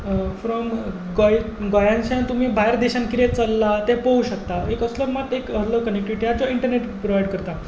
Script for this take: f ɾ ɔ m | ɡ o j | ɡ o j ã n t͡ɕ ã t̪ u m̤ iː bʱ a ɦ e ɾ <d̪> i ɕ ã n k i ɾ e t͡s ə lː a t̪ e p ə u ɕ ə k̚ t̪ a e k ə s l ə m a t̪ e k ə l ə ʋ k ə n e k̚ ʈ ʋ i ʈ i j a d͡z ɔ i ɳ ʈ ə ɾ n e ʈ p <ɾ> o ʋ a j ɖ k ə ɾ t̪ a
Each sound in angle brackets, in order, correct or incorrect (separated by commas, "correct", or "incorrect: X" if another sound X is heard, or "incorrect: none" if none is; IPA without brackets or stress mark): correct, correct